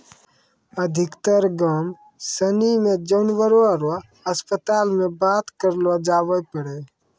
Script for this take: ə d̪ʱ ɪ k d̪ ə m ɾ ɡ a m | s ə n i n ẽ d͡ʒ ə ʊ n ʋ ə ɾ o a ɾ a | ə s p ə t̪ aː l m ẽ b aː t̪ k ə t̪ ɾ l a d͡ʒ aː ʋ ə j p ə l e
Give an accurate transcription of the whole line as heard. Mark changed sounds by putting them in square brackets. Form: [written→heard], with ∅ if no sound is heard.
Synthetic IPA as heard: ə d̪ʱ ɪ k [d̪→t̪] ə [m→∅] ɾ ɡ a m | s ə n i [n→m] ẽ d͡ʒ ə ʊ n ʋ ə ɾ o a ɾ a | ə s p ə t̪ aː l m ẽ b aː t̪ k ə [t̪→∅] ɾ l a d͡ʒ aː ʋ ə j p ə [l→ɽ] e